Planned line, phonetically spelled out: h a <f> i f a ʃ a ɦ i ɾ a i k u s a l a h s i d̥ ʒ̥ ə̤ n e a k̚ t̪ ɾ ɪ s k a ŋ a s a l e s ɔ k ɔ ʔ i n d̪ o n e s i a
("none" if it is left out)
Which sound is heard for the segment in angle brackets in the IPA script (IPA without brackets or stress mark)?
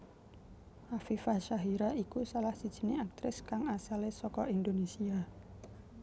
f